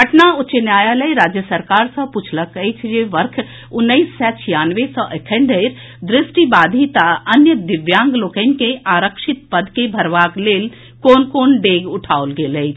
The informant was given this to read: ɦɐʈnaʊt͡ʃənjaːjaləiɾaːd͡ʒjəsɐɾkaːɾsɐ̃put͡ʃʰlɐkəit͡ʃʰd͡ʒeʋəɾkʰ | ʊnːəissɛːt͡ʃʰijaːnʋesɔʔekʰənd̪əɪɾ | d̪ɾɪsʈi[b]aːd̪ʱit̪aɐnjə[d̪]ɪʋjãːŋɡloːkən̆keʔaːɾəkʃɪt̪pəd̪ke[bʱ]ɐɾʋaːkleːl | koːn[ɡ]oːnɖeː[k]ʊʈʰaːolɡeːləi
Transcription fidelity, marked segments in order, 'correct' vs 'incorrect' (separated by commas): correct, correct, correct, incorrect, incorrect